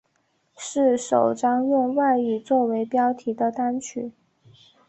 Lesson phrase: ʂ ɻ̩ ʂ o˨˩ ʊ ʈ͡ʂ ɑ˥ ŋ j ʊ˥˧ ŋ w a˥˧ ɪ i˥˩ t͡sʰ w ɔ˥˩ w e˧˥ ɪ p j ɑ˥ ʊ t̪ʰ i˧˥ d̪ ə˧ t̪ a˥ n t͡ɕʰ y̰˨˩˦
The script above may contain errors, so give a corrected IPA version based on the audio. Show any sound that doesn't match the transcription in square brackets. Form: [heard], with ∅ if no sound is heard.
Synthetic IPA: ʂ ɻ̩ ʂ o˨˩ ʊ ʈ͡ʂ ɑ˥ ŋ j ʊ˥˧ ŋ w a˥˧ ɪ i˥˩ [t͡s] w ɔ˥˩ w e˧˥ ɪ p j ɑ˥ ʊ t̪ʰ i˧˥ d̪ ə˧ t̪ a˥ n t͡ɕʰ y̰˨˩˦